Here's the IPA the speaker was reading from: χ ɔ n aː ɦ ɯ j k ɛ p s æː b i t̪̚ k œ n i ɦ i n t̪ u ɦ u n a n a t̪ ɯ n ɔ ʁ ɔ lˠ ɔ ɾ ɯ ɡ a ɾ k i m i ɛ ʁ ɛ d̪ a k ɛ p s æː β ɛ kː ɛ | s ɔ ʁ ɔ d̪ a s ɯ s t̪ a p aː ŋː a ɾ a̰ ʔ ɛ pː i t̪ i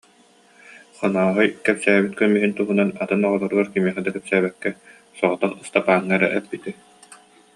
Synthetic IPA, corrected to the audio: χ ɔ n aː ɦ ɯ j k ɛ p s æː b i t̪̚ k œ m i ɦ i n t̪ u ɦ u n a n a t̪ ɯ n ɔ ʁ ɔ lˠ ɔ ɾ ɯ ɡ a ɾ k i m i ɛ χ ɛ d̪ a k ɛ p s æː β ɛ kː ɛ | s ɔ ʁ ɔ t̪ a χ ɯ s t̪ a p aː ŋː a ɾ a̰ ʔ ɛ pː i t̪ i

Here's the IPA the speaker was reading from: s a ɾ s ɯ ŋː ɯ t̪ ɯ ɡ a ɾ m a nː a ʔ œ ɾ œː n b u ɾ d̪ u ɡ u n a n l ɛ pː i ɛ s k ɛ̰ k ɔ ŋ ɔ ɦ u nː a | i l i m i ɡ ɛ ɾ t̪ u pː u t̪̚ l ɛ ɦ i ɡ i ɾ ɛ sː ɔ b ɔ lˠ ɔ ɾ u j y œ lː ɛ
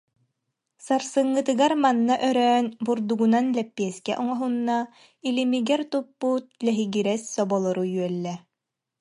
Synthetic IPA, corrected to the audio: s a ɾ s ɯ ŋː ɯ t̪ ɯ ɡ a ɾ m a nː a ʔ œ ɾ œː n b u ɾ d̪ u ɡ u n a n l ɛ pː i ɛ s k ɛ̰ ʔ ɔ ŋ ɔ ɦ u nː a | i l i m i ɡ ɛ ɾ t̪ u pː u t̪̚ l ɛ ɦ i ɡ i ɾ ɛ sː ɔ b ɔ lˠ ɔ ɾ u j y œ lː ɛ

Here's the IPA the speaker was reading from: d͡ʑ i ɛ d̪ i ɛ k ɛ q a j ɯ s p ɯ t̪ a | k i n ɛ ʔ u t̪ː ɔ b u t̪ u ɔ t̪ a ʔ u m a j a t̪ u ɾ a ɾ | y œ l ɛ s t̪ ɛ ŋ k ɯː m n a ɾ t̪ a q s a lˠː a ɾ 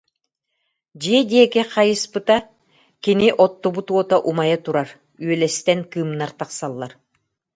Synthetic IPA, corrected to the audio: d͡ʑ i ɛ d̪ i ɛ k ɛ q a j ɯ s p ɯ t̪ a | k i n i ʔ ɔ t̪ː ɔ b u t̪ u ɔ t̪ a ʔ u m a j a t̪ u ɾ a ɾ | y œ l ɛ s t̪ ɛ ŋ k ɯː m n a ɾ t̪ a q s a lˠː a ɾ

